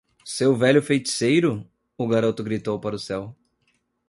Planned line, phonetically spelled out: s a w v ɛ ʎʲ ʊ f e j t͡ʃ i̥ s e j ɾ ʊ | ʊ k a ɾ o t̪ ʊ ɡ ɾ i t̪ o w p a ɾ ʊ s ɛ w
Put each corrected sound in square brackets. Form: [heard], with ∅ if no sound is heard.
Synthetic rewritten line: s [e] w v ɛ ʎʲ ʊ f e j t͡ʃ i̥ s e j ɾ ʊ | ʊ [ɡ] a ɾ o t̪ ʊ ɡ ɾ i t̪ o w p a ɾ ʊ s ɛ w